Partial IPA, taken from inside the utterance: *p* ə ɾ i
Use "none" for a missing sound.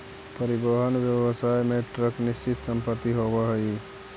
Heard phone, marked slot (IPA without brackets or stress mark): p